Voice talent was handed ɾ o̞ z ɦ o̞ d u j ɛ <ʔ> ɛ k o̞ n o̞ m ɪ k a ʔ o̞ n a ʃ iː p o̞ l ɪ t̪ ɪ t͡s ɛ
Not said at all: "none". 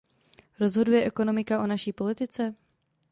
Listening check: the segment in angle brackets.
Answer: ʔ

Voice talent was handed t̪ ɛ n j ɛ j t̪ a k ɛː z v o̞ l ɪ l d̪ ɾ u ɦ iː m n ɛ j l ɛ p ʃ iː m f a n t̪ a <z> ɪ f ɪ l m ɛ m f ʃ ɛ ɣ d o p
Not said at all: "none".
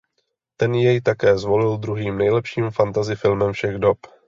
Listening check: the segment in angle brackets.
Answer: z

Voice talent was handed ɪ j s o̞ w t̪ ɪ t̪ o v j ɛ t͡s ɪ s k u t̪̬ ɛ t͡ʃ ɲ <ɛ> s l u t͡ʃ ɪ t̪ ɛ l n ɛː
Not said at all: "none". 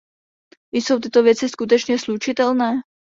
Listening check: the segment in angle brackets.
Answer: ɛ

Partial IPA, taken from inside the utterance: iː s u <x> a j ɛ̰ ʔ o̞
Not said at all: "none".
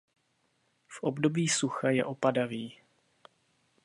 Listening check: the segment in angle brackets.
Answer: x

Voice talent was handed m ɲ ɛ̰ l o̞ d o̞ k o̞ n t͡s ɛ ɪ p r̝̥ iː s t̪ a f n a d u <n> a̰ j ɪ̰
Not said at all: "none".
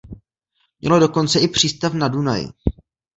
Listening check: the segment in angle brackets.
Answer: n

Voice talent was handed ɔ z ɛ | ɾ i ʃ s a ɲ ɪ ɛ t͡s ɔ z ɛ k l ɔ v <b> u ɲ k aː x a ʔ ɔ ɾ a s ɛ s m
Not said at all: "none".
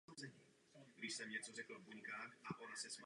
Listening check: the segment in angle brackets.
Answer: b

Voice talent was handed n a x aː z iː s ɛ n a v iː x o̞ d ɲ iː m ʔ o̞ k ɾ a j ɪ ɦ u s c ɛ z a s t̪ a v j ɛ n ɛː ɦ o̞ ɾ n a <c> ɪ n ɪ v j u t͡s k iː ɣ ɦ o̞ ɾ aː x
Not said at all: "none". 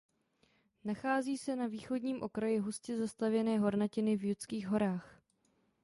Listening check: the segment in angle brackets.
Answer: c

